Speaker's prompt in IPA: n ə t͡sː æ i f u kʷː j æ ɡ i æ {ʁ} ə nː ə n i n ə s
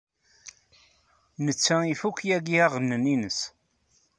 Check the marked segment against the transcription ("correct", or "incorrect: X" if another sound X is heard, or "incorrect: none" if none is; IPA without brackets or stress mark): correct